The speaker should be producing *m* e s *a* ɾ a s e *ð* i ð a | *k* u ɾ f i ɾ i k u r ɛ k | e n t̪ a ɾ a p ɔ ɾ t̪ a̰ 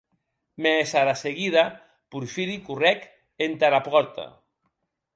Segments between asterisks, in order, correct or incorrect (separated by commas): correct, correct, incorrect, incorrect